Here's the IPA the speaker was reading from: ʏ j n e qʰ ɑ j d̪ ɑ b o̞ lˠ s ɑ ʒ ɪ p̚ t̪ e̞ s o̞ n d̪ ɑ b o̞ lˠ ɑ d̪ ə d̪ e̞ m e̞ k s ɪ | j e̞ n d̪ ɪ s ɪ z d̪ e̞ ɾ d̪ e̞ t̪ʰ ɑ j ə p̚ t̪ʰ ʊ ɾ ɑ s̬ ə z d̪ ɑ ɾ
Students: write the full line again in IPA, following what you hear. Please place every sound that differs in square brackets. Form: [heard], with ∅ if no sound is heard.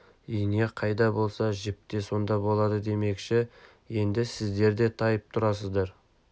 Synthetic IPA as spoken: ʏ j n e qʰ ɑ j d̪ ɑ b o̞ lˠ s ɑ ʒ ɪ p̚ t̪ e̞ s o̞ n d̪ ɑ b o̞ lˠ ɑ d̪ ə d̪ e̞ m e̞ k [ʃ] ɪ | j e̞ n d̪ ɪ s ɪ z d̪ e̞ ɾ d̪ e̞ t̪ʰ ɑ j ə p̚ t̪ʰ ʊ ɾ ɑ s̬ ə z d̪ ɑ ɾ